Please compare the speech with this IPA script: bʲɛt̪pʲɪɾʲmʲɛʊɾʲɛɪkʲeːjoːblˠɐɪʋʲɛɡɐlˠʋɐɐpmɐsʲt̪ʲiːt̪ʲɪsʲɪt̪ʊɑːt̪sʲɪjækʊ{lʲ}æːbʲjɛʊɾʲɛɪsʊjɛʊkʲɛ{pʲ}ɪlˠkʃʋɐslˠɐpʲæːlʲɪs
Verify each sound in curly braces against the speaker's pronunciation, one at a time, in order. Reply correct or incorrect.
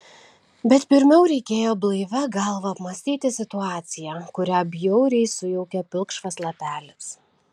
incorrect, correct

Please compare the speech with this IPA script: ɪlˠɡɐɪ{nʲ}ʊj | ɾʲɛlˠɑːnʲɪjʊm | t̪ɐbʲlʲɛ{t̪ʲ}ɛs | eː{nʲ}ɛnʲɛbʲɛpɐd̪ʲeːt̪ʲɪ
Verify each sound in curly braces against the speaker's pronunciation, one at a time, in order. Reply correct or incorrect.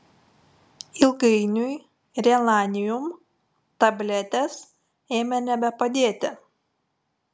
correct, correct, incorrect

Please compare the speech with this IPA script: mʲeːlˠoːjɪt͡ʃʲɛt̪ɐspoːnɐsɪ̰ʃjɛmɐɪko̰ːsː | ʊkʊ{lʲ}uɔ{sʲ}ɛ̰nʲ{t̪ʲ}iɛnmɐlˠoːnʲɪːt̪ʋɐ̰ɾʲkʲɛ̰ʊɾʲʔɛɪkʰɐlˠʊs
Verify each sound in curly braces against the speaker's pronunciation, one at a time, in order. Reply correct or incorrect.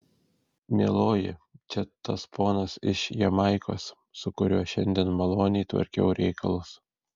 incorrect, incorrect, incorrect

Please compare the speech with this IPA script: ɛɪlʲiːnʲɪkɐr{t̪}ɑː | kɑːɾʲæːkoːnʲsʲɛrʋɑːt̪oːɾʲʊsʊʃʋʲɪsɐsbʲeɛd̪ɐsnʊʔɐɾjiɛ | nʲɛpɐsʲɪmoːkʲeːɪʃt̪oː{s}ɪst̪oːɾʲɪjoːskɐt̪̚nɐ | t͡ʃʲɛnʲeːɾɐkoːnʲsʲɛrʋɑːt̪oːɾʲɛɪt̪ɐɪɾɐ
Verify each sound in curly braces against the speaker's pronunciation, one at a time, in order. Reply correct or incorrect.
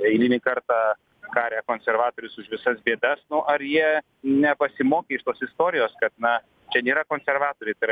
correct, correct

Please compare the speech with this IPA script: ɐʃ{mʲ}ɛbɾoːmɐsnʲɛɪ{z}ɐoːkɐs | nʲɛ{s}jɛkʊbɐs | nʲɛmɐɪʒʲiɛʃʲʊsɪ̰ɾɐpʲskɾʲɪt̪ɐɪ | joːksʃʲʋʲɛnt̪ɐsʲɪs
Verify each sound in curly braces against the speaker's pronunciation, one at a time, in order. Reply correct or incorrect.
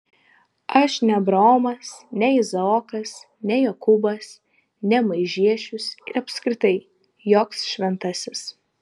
incorrect, correct, incorrect

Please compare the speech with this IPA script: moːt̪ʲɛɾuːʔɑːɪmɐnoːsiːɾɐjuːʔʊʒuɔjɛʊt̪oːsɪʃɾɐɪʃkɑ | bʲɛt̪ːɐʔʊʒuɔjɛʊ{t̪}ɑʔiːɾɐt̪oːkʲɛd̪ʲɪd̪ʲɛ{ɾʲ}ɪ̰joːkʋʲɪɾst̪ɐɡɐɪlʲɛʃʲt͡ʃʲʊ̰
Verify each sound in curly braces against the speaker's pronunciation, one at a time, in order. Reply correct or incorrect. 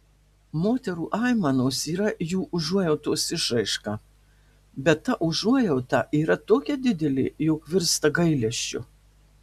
correct, incorrect

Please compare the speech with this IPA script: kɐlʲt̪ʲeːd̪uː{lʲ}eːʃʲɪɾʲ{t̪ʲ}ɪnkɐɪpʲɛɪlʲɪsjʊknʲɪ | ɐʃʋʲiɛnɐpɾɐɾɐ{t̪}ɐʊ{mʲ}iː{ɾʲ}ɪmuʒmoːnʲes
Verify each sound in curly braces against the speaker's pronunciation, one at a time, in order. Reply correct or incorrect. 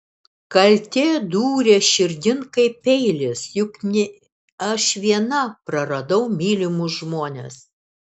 incorrect, incorrect, incorrect, correct, incorrect

